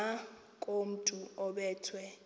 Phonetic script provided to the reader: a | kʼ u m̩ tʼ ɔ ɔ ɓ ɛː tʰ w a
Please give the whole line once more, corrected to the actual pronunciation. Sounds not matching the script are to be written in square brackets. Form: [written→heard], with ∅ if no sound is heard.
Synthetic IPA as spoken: a | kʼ [u→o] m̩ tʼ [ɔ→u] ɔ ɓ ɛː tʰ w [a→ɛ]